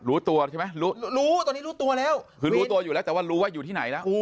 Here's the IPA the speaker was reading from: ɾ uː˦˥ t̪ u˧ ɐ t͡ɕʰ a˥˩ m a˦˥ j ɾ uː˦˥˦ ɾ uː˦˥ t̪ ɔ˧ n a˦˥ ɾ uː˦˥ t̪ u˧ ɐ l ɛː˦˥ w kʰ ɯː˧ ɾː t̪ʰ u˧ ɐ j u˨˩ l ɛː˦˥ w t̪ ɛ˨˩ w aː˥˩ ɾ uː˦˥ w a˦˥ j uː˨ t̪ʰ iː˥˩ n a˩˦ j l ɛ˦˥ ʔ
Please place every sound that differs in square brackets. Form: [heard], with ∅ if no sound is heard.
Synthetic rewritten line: ɾ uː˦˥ t̪ u˧ ɐ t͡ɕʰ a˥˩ m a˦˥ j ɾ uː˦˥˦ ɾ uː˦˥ t̪ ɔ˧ n [i˦˥] ɾ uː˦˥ t̪ u˧ ɐ l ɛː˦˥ w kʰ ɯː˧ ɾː [t̪] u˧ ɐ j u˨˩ l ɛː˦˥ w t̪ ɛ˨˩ w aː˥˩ ɾ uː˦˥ w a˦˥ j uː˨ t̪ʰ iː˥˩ n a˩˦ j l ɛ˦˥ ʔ